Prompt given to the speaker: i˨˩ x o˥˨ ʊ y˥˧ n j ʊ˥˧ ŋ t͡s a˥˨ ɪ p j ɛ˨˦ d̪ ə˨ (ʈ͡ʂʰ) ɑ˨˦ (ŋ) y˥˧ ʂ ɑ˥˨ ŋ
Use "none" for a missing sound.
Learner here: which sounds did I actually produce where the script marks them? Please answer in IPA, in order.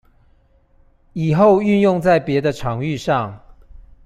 ʈ͡ʂʰ, ŋ

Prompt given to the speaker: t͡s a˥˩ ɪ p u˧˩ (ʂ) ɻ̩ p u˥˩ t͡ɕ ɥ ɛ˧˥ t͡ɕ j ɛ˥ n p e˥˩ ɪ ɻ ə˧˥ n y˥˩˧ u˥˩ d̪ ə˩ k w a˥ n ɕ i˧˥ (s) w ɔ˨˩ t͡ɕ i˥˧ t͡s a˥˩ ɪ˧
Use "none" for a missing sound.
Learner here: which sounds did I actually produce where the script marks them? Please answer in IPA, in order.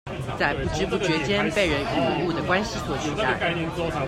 ʈ͡ʂ, s

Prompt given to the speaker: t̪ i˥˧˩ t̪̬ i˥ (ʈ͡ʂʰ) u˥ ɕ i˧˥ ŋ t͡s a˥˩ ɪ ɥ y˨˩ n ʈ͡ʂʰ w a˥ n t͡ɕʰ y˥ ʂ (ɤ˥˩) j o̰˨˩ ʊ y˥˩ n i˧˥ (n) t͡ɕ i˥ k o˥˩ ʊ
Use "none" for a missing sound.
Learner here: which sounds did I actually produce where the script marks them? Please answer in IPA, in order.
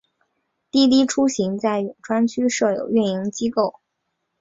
ʈ͡ʂʰ, ɤ˥˩, ŋ

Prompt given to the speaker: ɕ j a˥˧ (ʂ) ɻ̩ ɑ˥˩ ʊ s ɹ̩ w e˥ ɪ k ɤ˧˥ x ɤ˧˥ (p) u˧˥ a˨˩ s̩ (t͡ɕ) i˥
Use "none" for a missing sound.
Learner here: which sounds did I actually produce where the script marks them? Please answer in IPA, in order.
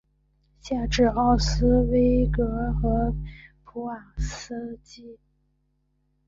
ʈ͡ʂ, pʰ, t͡ɕ

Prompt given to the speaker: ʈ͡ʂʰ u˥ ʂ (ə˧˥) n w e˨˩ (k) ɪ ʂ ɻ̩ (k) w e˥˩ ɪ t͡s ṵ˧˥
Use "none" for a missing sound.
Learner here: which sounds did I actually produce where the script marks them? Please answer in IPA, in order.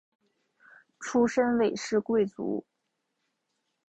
ə˥, none, k

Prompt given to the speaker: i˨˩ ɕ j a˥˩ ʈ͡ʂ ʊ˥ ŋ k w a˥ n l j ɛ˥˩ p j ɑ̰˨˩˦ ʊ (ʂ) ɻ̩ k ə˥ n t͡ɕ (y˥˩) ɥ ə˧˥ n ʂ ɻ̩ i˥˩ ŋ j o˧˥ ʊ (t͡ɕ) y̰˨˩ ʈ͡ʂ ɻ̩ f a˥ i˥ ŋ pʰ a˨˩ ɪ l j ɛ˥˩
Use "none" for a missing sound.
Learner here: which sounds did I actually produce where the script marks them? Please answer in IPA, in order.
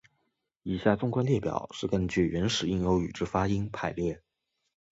ʂ, y˥˩, none

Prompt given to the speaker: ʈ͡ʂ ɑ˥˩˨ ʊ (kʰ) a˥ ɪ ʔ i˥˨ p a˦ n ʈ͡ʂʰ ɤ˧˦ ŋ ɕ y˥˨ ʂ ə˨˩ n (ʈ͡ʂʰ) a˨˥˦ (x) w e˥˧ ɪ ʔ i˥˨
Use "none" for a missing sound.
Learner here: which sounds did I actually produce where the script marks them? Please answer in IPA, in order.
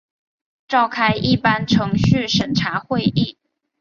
kʰ, ʈ͡ʂʰ, x

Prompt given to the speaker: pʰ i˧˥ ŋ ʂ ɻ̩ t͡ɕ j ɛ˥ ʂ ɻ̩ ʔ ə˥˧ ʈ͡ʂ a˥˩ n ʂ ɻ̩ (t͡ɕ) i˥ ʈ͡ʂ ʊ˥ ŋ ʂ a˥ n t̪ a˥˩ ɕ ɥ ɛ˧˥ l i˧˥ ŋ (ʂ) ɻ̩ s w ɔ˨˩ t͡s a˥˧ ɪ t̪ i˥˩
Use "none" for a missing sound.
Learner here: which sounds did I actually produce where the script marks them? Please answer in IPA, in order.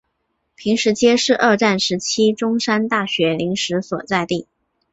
t͡ɕʰ, ʂ

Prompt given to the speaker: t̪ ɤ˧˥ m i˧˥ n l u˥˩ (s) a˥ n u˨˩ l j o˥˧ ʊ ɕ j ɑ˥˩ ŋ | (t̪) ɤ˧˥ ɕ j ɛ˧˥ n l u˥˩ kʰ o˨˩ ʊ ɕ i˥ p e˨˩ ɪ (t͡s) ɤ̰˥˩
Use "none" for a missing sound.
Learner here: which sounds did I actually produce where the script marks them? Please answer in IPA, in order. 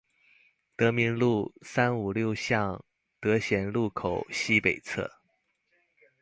s, t̪, t͡sʰ

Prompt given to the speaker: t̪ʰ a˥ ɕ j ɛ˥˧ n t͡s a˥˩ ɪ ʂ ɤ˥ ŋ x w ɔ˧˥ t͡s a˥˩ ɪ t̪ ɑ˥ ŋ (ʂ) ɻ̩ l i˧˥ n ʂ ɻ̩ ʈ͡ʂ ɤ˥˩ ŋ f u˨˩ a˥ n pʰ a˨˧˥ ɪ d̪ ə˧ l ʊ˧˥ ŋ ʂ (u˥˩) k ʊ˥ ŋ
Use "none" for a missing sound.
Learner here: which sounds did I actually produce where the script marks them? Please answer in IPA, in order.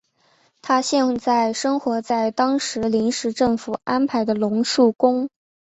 ʂ, u˥˩

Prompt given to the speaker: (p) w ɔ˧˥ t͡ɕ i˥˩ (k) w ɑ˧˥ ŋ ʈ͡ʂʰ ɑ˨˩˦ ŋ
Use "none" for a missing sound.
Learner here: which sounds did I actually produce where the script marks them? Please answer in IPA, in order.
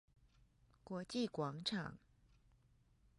k, k

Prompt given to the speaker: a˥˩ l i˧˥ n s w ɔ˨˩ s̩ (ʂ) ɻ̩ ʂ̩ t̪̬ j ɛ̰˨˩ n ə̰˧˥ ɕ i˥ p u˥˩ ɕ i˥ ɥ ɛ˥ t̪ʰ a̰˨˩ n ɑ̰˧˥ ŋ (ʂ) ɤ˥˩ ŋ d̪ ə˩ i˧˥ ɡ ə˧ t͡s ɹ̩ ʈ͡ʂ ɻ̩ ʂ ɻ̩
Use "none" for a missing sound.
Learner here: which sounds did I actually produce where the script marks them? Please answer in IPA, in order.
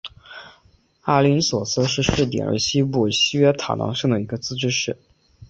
ʂ, ʂ

